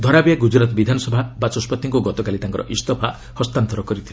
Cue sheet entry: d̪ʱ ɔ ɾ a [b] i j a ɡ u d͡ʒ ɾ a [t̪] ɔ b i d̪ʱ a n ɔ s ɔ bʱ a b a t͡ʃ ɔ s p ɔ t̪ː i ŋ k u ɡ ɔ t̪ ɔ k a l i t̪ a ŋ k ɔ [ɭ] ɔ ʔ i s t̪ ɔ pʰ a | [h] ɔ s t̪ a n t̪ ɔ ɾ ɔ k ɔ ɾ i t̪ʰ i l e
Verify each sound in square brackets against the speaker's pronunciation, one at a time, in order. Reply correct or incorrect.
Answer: correct, correct, incorrect: ɾ, correct

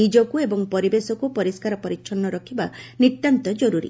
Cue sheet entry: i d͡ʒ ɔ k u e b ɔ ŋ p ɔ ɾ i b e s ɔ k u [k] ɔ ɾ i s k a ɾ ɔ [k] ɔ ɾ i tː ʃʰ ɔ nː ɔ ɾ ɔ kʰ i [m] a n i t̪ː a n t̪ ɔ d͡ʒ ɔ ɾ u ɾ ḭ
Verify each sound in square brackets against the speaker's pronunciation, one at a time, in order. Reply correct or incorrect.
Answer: incorrect: p, incorrect: p, incorrect: b

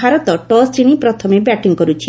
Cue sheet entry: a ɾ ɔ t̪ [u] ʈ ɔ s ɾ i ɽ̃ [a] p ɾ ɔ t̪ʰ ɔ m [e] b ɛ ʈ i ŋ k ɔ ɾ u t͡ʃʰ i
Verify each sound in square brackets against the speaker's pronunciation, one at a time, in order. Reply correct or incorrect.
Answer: incorrect: ɔ, incorrect: i, correct

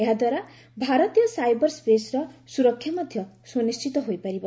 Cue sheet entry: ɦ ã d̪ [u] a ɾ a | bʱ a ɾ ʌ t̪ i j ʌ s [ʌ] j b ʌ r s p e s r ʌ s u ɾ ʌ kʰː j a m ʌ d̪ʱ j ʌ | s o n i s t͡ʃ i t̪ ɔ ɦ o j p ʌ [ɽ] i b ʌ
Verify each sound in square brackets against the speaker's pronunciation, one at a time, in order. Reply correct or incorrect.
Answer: incorrect: w, incorrect: a, incorrect: ɾ

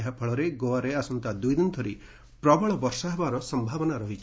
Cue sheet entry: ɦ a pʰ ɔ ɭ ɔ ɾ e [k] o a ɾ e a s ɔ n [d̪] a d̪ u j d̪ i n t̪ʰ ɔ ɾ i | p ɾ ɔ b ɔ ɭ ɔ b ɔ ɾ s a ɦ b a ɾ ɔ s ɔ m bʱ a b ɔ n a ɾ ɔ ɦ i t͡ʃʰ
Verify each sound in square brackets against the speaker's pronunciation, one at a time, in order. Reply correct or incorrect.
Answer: incorrect: ɡ, incorrect: t̪

